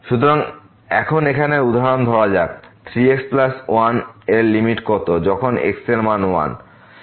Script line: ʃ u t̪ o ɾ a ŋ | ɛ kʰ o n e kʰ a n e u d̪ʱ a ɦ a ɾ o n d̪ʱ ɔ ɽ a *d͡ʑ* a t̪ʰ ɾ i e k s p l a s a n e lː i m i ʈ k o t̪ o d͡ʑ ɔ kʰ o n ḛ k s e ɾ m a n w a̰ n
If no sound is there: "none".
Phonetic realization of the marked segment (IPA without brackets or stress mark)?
d͡ʑ